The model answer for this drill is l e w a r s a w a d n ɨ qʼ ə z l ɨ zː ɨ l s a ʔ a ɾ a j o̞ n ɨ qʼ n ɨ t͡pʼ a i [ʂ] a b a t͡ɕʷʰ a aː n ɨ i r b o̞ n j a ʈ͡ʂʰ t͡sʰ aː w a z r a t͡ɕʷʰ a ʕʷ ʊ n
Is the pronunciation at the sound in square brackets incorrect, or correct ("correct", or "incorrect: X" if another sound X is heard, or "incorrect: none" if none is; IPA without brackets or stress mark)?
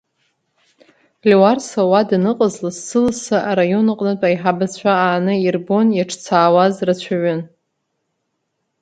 incorrect: ħ